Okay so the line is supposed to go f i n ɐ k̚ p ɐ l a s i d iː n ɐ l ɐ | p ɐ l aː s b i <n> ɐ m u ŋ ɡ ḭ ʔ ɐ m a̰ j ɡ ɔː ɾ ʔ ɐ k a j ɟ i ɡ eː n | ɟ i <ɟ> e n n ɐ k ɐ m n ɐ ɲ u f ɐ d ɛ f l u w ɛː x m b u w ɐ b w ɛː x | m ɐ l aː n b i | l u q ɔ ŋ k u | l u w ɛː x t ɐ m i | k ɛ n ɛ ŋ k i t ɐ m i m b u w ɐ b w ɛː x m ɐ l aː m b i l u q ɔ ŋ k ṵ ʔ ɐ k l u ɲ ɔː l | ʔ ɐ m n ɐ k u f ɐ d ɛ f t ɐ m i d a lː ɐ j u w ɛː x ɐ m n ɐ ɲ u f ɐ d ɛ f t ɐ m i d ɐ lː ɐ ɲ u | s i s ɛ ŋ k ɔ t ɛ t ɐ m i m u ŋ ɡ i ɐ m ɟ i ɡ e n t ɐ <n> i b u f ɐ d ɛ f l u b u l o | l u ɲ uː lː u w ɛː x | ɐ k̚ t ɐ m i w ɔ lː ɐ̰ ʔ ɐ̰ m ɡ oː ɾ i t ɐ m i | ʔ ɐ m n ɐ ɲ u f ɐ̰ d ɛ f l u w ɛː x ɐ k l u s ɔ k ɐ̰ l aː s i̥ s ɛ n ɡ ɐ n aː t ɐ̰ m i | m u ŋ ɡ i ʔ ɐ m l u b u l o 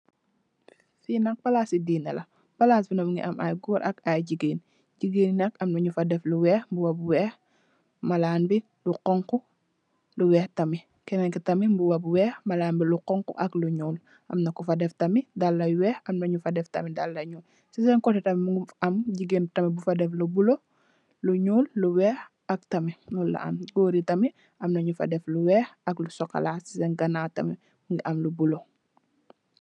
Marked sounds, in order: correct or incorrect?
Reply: correct, incorrect, incorrect

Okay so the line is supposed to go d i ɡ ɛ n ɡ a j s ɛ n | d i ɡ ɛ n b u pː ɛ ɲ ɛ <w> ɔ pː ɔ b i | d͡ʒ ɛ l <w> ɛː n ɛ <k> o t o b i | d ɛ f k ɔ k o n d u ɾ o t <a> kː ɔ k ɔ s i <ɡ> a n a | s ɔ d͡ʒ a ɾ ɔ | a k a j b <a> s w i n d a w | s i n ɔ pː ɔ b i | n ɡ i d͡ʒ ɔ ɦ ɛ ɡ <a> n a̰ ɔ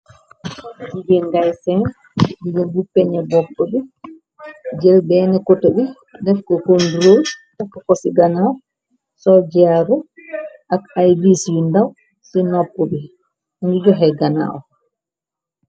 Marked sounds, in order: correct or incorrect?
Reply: incorrect, incorrect, correct, correct, correct, incorrect, correct

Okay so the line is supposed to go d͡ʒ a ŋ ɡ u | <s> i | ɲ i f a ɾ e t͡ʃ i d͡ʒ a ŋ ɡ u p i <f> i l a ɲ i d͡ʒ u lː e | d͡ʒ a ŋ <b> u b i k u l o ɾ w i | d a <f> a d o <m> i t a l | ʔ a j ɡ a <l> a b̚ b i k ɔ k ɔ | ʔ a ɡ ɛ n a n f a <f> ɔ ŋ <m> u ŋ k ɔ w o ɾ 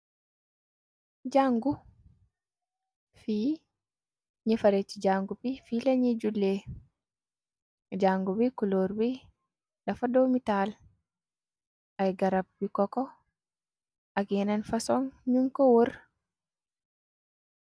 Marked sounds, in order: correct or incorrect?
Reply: incorrect, correct, incorrect, correct, correct, incorrect, incorrect, incorrect

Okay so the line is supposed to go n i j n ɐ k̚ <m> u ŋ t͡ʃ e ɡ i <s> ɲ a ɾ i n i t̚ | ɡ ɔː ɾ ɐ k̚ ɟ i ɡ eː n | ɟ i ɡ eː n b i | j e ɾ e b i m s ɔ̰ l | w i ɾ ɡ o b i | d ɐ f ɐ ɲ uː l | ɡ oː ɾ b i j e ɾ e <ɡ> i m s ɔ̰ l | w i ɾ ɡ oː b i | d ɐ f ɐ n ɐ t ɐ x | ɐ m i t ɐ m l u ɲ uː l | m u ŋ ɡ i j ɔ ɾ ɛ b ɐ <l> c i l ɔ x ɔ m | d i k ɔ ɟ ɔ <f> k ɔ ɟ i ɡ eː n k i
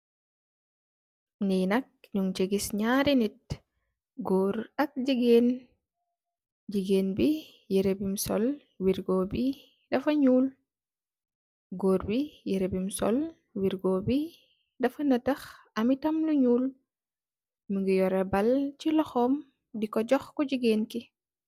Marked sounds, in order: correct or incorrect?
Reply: incorrect, correct, incorrect, correct, incorrect

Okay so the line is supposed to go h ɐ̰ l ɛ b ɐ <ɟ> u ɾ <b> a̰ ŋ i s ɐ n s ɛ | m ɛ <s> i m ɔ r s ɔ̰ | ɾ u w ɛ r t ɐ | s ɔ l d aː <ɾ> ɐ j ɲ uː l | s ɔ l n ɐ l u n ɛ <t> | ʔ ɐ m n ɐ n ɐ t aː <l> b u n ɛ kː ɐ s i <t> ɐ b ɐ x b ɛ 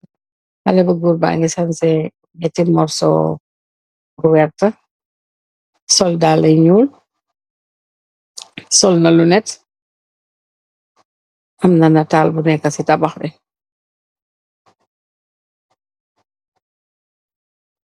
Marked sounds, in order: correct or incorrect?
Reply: incorrect, correct, incorrect, incorrect, correct, correct, correct

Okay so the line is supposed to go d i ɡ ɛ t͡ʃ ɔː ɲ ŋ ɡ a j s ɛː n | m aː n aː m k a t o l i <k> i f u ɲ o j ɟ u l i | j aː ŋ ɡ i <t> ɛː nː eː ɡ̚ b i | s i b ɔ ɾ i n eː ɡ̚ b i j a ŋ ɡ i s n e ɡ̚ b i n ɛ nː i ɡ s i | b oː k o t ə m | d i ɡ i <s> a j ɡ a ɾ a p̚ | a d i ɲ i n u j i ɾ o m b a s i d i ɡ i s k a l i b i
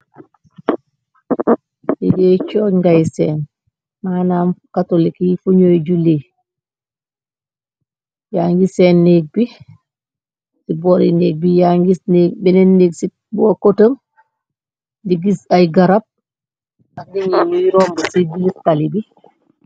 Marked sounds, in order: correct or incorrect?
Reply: correct, incorrect, correct

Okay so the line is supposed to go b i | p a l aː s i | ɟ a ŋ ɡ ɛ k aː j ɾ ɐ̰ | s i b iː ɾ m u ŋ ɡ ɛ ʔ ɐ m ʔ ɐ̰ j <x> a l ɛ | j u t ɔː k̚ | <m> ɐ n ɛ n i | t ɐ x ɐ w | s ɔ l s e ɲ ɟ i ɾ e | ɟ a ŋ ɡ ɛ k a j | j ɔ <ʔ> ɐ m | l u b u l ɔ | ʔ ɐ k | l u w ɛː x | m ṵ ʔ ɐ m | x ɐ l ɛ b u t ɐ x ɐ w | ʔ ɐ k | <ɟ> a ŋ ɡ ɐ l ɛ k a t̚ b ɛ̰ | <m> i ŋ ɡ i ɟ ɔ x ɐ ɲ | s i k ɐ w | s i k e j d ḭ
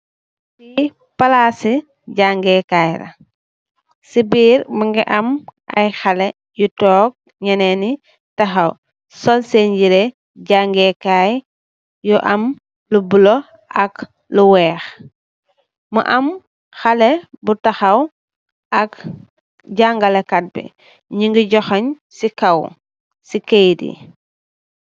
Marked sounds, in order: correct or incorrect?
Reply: correct, incorrect, correct, correct, incorrect

